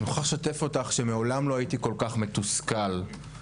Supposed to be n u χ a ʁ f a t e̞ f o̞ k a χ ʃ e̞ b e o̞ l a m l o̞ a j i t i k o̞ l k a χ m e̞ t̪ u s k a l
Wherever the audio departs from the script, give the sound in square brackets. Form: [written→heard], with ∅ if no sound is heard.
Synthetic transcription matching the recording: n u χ a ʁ [f→ʃ] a t e̞ f o̞ [k→t] a χ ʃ e̞ [b→m] e o̞ l a m l o̞ a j i t i k o̞ l k a χ m e̞ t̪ u s k a l

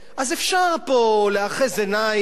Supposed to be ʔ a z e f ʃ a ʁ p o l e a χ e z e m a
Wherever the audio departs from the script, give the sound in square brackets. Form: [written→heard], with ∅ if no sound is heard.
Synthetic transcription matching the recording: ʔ a z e f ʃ a ʁ p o l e a χ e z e [m→n] a

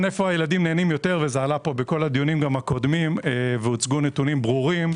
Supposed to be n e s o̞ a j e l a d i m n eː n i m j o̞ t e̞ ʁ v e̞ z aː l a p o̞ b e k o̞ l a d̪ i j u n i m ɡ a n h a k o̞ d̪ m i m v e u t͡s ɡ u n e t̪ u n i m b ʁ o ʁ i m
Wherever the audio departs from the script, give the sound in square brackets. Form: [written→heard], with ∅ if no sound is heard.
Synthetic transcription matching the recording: n e [s→f] o̞ a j e l a d i m n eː n i m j o̞ t e̞ ʁ v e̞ z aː l a p o̞ b e k o̞ l a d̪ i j u n i m ɡ a [n→m] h a k o̞ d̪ m i m v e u t͡s ɡ u n e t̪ u n i m b ʁ [o→u] ʁ i m

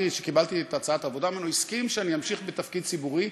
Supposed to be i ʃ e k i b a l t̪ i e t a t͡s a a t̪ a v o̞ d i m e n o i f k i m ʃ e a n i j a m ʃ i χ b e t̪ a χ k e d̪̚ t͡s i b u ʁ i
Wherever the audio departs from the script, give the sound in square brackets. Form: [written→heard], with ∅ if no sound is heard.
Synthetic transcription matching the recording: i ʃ e k i b a l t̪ i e t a t͡s a a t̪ a v o̞ d [i→a] m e n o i [f→s] k i m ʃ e a n i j a m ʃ i χ b e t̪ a [χ→f] k [e→i] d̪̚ t͡s i b u ʁ i

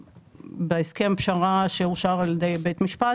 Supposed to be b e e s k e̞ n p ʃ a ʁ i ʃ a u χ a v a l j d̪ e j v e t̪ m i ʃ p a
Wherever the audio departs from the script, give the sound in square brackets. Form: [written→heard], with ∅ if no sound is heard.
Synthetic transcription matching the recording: b e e s k e̞ [n→m] p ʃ a ʁ [i→a] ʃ [a→e] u [χ→ʃ] a [v→ʁ] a l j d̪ e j [v→b] e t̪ m i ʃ p a

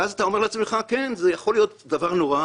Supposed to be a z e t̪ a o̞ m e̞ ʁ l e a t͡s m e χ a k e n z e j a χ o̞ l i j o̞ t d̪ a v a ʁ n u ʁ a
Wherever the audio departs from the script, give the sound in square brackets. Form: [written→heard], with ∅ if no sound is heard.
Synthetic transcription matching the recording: a z [e→a] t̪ a o̞ m e̞ ʁ l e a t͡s m e χ a k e n z e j a χ o̞ l i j o̞ t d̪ a v a ʁ n [u→o] ʁ a

